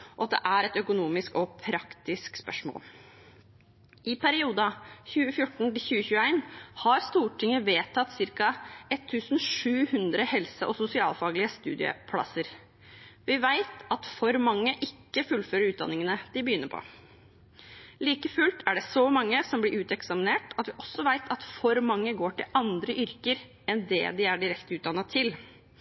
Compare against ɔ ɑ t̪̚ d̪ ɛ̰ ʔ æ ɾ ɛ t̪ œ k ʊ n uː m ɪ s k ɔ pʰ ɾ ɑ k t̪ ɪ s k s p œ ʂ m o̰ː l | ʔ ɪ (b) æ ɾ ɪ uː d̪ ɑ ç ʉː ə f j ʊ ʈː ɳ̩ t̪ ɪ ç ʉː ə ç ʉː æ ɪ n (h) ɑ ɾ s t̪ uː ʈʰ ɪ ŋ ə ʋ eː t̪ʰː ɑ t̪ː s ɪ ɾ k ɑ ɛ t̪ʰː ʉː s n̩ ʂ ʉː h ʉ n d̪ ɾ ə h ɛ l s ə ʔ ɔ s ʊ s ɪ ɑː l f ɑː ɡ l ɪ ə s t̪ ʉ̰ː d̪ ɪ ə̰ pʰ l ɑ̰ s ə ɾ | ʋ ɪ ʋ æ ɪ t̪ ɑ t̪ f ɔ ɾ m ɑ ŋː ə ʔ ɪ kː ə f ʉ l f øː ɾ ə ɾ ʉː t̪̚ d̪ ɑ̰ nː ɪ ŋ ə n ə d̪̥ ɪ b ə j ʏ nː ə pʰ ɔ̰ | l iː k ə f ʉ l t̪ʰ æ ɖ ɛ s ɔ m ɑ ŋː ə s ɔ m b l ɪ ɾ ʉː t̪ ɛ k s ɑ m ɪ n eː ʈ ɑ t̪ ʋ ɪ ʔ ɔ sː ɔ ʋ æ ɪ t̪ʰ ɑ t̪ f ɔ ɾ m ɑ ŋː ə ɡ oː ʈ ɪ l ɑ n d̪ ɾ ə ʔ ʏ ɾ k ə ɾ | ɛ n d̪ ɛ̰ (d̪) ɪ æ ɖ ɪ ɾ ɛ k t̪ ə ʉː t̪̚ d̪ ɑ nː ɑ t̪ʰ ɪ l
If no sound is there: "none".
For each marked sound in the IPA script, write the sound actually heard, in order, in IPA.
p, h, d̪

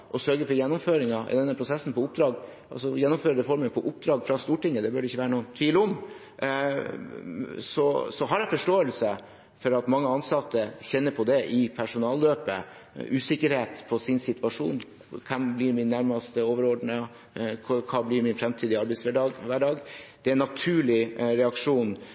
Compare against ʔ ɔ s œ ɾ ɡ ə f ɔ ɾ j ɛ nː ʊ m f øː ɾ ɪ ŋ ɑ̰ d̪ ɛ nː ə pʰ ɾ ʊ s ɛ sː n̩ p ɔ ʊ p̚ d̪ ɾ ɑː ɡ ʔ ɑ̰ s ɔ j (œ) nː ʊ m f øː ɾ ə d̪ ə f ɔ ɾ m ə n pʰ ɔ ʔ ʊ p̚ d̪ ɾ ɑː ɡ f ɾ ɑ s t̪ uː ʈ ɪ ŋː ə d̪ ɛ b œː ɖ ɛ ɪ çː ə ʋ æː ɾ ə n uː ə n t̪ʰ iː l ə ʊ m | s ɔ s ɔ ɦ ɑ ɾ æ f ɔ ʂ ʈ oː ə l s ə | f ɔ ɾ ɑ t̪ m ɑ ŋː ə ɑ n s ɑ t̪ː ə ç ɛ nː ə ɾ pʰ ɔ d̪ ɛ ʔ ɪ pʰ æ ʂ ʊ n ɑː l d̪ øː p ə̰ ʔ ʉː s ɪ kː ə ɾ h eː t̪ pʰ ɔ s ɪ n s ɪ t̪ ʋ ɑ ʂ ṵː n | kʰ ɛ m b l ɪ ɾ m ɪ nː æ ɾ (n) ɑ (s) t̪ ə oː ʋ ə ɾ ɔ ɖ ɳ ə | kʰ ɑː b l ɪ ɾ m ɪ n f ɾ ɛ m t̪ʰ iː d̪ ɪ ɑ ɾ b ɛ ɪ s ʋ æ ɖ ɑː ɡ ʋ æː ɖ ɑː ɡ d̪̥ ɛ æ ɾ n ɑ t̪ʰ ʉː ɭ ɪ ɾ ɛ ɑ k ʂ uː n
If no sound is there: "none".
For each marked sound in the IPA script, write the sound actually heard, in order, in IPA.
ɛ, m, s

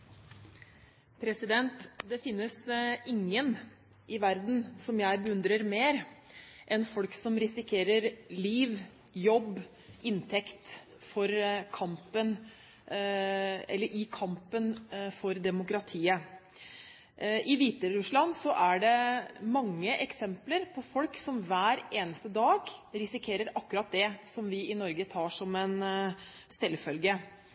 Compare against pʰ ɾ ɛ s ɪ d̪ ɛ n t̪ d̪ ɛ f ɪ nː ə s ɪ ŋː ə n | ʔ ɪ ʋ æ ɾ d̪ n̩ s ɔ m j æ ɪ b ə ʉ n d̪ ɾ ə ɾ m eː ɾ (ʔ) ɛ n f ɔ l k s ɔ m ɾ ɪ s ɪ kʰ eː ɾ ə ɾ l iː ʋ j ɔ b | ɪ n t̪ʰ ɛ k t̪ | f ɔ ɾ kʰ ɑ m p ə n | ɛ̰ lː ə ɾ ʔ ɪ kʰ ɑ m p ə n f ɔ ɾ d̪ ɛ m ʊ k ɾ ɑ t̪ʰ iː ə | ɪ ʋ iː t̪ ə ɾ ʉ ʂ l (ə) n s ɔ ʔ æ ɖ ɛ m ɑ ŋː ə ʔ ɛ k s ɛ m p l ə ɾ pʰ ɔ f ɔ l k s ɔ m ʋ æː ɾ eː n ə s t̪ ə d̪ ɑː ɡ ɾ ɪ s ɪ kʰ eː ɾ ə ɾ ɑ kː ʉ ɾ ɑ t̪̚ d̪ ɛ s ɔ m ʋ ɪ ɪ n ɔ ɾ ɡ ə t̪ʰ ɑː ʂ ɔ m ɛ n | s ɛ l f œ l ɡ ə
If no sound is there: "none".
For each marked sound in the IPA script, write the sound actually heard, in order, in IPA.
ʔ, ɑ

